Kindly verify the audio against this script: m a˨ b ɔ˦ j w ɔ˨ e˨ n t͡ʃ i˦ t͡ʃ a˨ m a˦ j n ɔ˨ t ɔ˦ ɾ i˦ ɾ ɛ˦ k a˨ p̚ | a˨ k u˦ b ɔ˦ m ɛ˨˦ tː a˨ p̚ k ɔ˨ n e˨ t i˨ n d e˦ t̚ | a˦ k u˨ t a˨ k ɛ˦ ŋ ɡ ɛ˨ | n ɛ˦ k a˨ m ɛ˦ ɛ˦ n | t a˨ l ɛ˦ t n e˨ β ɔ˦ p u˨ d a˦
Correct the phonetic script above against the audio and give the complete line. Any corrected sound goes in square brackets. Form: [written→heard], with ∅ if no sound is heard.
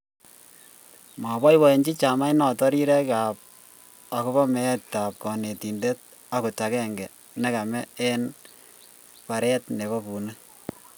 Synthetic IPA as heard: m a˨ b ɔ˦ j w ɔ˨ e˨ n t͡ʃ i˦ t͡ʃ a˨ m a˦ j n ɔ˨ t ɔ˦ ɾ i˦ ɾ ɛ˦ k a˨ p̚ | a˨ k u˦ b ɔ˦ m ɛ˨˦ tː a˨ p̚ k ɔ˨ n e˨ t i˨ n d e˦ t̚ | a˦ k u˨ t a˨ k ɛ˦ ŋ ɡ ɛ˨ | n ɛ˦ k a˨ m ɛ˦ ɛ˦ n | [t→p] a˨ [l→ɾ] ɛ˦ t n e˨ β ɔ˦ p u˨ [d→n] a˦